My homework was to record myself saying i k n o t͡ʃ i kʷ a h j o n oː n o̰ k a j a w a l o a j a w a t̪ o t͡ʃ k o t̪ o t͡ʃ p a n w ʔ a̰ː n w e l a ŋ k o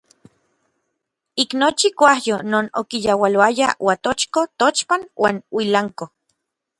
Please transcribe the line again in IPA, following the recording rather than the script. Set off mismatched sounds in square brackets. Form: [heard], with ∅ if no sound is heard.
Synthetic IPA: i k n o t͡ʃ i kʷ a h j o n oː n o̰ k [i] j a w a l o a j a w a t̪ o t͡ʃ k o t̪ o t͡ʃ p a n w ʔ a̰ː n w [i] l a ŋ k o